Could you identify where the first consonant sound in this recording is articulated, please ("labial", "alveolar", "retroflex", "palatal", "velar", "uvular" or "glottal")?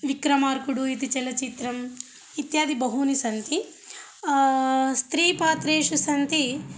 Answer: labial